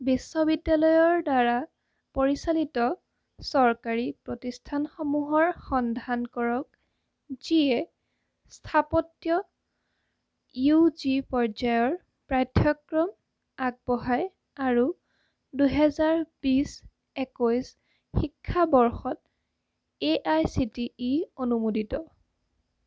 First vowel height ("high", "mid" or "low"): high